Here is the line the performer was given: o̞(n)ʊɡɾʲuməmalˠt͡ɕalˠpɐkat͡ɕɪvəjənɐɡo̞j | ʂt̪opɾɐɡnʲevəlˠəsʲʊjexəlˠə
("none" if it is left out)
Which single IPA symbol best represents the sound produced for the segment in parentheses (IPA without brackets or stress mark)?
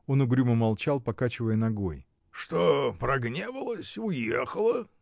n